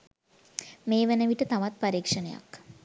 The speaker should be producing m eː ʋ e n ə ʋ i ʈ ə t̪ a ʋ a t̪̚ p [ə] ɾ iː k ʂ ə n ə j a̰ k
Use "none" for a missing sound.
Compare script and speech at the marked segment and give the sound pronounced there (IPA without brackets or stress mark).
a